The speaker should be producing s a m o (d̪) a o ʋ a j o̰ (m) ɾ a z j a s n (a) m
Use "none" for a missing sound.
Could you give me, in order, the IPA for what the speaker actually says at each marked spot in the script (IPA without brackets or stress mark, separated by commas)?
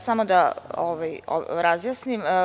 d̪, none, i